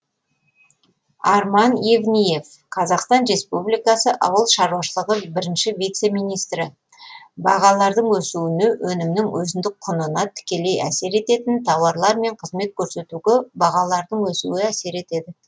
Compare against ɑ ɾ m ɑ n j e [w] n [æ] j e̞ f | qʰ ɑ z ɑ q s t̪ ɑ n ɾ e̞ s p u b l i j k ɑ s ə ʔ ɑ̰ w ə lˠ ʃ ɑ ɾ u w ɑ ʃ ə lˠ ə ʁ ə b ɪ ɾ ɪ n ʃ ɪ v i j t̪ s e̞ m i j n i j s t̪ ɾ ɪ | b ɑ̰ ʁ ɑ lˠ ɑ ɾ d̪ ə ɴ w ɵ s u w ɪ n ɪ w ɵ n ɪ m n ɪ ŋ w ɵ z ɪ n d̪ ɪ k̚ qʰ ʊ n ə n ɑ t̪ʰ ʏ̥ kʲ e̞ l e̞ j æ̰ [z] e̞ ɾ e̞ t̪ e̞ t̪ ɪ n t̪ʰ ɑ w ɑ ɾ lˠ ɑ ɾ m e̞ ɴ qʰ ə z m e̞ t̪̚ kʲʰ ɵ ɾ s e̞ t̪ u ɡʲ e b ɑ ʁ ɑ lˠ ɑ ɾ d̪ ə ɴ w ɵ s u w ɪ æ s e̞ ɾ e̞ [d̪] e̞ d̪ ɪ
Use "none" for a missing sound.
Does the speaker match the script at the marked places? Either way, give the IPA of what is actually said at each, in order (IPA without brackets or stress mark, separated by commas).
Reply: v, i, s, t̪